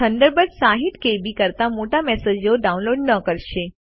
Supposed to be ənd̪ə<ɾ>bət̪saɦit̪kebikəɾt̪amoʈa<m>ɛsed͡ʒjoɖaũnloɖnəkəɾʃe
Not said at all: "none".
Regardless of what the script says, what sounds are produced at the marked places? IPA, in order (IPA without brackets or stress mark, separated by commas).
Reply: ɾ, m